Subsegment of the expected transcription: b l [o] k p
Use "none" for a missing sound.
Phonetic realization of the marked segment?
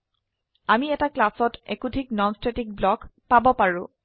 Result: ɔ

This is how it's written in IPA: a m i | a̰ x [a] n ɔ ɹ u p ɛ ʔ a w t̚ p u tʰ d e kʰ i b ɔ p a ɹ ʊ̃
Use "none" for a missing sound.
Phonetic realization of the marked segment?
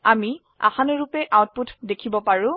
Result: a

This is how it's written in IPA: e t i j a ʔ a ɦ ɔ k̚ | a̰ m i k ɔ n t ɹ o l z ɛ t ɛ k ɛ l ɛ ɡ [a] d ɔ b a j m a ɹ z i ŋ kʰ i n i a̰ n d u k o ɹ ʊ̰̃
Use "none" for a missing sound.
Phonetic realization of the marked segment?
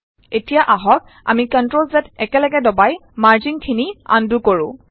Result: ɛ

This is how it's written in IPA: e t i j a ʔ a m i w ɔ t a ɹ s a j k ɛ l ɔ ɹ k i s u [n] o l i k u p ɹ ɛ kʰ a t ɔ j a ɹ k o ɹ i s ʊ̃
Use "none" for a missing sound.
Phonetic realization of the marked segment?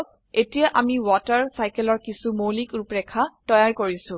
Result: m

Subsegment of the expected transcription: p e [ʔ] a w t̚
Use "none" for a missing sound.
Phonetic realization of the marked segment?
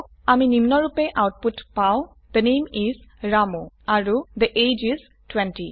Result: ʔ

